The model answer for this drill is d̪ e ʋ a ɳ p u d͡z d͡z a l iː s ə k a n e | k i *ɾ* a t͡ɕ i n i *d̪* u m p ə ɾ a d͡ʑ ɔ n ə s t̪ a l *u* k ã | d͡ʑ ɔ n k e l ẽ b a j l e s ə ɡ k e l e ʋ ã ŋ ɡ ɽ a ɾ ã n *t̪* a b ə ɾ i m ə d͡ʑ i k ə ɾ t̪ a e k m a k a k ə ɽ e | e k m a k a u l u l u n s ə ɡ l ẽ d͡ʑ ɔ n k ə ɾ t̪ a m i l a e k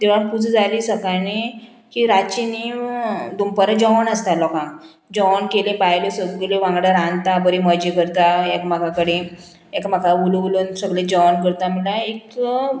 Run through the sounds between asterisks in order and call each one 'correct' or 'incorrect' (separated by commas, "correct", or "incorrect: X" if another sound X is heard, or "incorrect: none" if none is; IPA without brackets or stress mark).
correct, correct, incorrect: ɔ, correct